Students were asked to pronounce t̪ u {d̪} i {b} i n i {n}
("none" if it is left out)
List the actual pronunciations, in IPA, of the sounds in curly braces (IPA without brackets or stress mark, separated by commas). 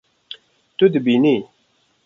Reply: d̪, b, none